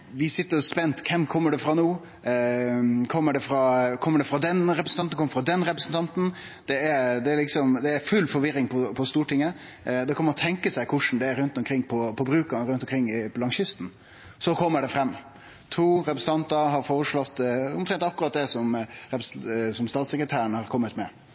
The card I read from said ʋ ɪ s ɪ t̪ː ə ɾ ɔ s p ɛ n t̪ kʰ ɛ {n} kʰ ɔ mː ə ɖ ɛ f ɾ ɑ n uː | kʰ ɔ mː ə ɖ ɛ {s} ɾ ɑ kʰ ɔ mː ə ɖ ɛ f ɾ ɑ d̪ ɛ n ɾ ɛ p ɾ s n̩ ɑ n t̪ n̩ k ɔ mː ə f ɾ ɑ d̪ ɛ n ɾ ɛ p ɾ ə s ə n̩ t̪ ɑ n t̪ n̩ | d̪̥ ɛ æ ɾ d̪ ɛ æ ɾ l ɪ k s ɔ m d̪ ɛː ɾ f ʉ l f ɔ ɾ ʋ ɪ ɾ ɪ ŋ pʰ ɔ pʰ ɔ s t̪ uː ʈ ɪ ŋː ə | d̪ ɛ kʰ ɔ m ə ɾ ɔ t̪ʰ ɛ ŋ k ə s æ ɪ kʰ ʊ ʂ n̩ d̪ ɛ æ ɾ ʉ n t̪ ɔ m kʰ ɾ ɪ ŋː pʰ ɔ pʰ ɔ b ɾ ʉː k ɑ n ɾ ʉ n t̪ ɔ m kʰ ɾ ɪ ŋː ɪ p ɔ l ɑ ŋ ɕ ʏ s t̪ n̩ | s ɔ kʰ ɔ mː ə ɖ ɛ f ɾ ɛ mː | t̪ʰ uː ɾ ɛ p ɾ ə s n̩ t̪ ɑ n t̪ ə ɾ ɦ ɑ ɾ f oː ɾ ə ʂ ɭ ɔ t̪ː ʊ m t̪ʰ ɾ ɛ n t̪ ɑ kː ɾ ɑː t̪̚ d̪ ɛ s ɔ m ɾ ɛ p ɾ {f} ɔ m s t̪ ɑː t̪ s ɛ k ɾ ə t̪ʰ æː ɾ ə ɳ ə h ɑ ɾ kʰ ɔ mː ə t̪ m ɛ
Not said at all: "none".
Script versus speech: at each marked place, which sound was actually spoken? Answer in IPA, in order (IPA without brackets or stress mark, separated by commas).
m, f, s